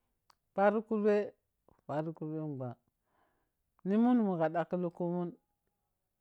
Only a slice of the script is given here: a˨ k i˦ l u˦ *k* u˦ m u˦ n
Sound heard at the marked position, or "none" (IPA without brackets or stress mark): k